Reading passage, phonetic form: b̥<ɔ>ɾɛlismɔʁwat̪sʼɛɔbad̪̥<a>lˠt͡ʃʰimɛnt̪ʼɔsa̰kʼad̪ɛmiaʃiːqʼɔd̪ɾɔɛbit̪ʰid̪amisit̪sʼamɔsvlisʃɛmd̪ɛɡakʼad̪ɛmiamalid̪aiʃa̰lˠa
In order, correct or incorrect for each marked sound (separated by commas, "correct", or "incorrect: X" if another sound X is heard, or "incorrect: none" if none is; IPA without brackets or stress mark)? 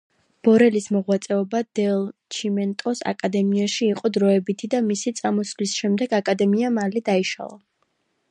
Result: correct, incorrect: ɛ